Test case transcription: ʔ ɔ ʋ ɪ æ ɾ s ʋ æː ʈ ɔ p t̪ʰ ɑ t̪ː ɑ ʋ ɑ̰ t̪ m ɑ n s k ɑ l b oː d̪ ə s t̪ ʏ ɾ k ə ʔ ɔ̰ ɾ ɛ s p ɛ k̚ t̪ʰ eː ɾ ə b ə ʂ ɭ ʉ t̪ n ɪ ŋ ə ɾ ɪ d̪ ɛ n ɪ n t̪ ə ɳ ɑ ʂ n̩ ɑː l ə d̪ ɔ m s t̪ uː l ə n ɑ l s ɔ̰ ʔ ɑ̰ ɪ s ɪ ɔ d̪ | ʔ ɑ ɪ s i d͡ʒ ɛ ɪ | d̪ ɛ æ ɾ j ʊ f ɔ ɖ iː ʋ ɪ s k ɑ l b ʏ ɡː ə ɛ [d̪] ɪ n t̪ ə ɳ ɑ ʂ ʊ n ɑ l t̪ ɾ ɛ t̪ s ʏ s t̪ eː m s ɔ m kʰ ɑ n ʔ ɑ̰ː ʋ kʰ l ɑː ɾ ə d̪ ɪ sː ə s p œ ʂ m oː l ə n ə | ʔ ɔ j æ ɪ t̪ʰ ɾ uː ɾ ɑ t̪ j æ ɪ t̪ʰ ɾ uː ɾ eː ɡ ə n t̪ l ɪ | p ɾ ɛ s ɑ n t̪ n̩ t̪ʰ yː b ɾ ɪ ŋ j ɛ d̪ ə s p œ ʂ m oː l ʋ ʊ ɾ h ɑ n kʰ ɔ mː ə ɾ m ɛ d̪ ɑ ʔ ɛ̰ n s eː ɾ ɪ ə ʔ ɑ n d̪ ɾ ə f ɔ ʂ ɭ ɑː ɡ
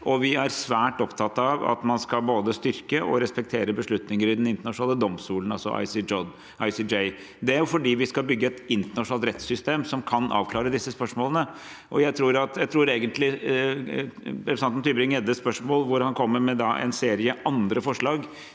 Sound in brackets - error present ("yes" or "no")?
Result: yes